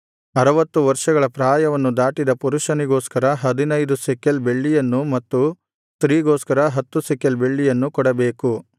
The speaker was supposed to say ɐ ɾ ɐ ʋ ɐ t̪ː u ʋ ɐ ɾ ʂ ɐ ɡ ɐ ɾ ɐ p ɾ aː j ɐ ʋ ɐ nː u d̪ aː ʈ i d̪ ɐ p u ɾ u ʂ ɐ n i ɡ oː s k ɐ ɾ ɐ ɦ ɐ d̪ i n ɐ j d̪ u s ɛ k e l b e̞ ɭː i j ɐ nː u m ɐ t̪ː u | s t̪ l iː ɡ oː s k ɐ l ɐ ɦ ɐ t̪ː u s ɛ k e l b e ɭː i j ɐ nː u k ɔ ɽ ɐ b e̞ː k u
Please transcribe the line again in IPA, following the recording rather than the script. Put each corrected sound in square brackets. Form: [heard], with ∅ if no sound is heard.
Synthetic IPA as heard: ɐ ɾ ɐ ʋ ɐ t̪ː u ʋ ɐ ɾ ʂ ɐ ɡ ɐ [ɭ] ɐ p ɾ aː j ɐ ʋ ɐ nː u d̪ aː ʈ i d̪ ɐ p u ɾ u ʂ ɐ n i ɡ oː s k ɐ ɾ ɐ ɦ ɐ d̪ i n ɐ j d̪ u s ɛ k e l b e̞ ɭː i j ɐ nː u m ɐ t̪ː u | s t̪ [ɾ] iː ɡ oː s k ɐ [ɾ] ɐ ɦ ɐ t̪ː u s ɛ k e l b e ɭː i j ɐ nː u k ɔ ɽ ɐ b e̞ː k u